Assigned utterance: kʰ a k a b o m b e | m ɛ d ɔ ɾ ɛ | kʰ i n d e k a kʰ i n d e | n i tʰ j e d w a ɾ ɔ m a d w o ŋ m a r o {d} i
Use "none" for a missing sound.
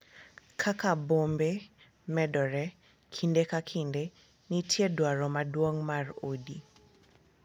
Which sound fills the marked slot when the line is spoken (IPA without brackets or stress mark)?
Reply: d